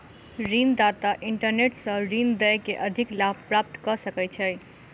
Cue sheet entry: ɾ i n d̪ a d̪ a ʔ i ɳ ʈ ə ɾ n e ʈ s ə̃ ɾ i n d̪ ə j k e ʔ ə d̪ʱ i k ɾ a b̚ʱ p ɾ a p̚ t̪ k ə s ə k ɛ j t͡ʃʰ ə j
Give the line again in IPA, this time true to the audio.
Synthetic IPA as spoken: ɾ i n d̪ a t̪ a ʔ i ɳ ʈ ə ɾ n e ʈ s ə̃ ɾ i n d̪ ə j k e ʔ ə d̪ʱ i k l a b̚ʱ p ɾ a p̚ t̪ k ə s ə k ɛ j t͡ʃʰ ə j

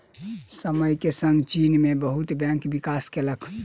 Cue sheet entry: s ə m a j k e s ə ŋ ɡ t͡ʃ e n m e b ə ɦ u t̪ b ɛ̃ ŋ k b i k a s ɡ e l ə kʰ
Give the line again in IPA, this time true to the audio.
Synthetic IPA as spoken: s ə m ə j k e s ə ŋ ɡ t͡ʃ i n m e b ə ɦ u t̪ b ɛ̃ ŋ k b i k a s k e l ə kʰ

